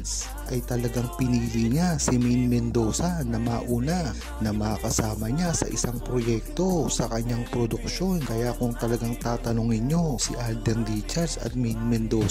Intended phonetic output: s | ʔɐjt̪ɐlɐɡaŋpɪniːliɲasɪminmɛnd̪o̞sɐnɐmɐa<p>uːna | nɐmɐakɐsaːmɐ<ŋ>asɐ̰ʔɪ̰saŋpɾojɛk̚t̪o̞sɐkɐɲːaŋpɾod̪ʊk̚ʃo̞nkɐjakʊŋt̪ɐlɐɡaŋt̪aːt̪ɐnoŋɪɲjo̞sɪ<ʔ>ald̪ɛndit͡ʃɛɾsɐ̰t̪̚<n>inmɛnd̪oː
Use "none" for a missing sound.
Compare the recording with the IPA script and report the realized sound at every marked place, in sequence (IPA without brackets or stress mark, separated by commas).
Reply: ʔ, ɲ, ʔ, m